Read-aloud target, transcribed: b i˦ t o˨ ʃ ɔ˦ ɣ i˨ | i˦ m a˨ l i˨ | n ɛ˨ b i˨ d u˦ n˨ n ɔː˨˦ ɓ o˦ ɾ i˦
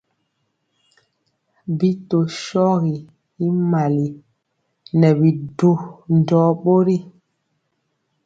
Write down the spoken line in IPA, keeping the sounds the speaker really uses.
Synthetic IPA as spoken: b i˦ t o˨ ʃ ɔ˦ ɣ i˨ | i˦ m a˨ l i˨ | n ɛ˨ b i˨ d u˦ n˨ d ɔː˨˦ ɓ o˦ ɾ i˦